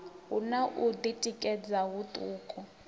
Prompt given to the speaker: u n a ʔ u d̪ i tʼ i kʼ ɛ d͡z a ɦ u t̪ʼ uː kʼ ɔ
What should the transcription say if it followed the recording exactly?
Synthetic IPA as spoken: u n a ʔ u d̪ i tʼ i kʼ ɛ d͡z a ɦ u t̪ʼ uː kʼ ɔ